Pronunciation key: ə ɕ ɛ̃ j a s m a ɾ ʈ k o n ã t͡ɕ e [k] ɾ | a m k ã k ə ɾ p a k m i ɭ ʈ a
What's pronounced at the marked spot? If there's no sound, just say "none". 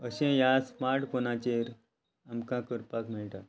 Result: none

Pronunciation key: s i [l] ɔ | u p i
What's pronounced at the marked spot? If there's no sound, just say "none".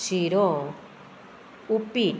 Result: ɾ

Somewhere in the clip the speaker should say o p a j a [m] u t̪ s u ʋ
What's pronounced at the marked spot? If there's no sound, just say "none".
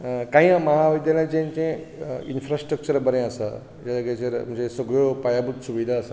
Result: b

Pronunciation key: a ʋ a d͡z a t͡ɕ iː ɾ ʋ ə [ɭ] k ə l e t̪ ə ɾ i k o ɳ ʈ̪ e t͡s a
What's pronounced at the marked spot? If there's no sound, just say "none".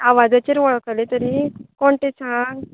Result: ɭ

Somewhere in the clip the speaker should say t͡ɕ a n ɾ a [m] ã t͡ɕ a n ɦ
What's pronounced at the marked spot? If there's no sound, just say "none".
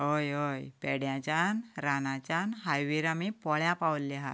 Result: n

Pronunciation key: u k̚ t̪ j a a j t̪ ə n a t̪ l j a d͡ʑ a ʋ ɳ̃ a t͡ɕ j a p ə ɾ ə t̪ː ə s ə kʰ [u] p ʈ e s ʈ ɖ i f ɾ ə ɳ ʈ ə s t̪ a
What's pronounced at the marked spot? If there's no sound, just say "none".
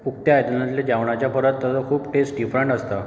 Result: uː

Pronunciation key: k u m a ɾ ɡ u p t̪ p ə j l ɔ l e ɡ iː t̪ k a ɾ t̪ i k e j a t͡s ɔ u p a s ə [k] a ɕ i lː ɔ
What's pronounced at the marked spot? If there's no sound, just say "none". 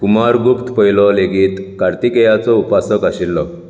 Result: k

